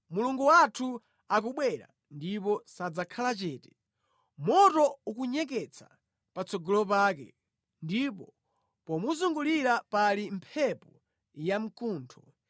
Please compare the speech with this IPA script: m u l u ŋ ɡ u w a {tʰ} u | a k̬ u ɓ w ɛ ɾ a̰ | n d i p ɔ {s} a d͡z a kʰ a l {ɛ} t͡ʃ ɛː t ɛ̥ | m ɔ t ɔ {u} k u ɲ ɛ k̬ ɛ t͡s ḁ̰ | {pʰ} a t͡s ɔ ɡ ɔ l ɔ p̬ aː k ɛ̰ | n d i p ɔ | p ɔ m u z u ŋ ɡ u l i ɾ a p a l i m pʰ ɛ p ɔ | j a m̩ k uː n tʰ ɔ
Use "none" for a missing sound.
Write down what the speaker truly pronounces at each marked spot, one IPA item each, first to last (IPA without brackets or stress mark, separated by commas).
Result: tʰ, s, a, u, p